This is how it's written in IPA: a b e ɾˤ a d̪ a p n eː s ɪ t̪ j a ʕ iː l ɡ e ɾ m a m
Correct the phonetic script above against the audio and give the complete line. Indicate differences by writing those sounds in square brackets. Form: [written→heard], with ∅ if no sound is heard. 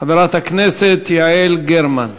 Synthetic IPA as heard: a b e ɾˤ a [d̪→t̪] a [p→k] n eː s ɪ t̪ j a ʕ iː l ɡ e ɾ m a [m→n]